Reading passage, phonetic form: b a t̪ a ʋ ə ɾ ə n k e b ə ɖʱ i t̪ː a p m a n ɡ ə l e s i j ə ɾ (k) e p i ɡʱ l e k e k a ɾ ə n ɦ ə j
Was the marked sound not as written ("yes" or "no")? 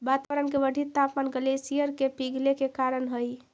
no